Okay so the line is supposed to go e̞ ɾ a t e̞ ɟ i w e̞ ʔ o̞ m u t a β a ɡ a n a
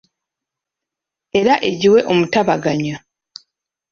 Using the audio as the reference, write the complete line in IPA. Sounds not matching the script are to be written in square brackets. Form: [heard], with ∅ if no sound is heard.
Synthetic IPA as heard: e̞ ɾ a [ʔ] e̞ ɟ i w e̞ ʔ o̞ m u t a β a ɡ a [ɲ] a